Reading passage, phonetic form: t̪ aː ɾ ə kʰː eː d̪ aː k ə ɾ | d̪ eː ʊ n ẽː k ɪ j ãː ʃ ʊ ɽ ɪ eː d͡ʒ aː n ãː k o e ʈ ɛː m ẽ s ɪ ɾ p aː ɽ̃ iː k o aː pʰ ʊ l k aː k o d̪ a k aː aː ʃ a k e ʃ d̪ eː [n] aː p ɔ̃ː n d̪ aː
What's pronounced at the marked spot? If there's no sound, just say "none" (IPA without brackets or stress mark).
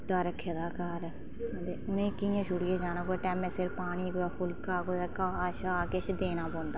n